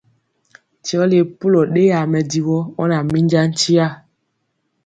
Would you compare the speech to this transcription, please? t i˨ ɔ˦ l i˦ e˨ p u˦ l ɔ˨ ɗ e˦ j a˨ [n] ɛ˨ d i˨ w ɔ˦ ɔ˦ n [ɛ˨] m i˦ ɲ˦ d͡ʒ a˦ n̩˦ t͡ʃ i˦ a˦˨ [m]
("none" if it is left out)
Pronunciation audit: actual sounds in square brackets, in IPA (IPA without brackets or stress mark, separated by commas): m, a˨, none